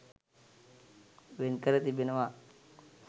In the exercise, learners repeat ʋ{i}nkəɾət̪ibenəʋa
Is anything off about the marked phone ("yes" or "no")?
yes